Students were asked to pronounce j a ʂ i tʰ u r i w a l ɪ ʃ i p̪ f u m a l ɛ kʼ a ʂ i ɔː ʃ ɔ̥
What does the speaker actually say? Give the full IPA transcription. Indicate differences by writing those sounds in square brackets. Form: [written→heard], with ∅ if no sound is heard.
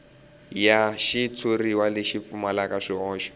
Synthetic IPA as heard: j a [ʂ→ʃ] i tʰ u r i w a l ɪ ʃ i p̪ f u m a l [ɛ→a] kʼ a ʂ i ɔː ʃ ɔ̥